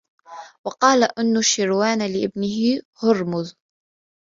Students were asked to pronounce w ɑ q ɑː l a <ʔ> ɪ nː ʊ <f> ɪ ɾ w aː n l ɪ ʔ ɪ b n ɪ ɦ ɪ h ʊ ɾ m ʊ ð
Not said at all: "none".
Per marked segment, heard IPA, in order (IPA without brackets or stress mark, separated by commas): ʔ, ʃ